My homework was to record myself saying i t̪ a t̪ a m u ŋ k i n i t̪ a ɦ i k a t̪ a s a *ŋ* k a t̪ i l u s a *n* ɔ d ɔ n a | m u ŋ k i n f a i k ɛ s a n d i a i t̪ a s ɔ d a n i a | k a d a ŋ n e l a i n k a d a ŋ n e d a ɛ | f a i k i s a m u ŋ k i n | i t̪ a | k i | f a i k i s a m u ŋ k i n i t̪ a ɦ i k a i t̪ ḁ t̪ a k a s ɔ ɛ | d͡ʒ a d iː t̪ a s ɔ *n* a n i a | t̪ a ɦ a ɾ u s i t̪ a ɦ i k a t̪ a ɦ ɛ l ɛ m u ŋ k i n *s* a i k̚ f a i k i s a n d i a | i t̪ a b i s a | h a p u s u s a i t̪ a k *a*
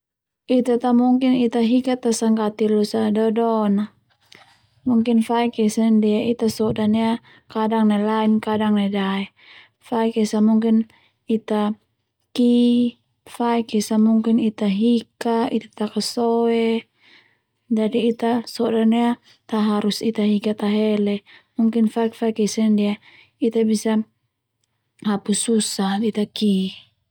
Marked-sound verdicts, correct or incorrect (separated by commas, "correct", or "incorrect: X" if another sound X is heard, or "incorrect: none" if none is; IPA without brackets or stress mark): correct, incorrect: d, incorrect: d, incorrect: f, incorrect: i